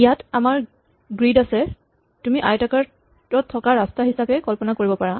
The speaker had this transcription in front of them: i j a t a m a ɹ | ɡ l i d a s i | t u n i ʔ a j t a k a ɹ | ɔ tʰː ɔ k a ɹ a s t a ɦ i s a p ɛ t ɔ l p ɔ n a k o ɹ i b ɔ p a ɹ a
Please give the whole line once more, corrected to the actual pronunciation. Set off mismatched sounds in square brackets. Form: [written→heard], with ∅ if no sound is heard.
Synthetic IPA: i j a t a m a ɹ | ɡ [l→ɹ] i d a s [i→ɛ] | t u [n→m] i ʔ a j t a k a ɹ | ɔ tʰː ɔ k a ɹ a s t a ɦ i s a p ɛ [t→k] ɔ l p ɔ n a k o ɹ i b ɔ p a ɹ a